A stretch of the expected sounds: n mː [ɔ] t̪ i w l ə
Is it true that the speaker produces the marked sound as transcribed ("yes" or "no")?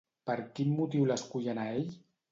no